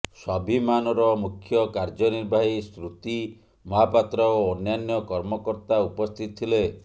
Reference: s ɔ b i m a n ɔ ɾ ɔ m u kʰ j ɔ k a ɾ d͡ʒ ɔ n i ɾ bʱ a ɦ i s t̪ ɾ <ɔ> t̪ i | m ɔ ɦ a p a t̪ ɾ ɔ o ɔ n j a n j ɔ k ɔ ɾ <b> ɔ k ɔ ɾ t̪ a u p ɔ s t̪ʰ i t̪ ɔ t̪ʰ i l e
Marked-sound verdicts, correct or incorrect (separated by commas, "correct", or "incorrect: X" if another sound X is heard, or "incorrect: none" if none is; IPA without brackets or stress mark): incorrect: u, incorrect: m